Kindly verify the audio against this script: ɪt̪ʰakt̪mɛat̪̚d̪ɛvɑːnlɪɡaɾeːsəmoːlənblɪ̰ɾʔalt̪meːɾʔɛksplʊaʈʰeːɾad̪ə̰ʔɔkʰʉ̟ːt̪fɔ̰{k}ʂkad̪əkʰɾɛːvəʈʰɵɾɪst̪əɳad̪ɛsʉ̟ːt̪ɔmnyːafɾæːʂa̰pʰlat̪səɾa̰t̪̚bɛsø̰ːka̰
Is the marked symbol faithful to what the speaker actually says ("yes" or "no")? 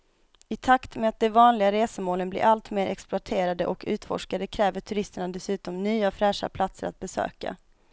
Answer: no